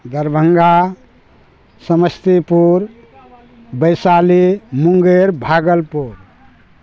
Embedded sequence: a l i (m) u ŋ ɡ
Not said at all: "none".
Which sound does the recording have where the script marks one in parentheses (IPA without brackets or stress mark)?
m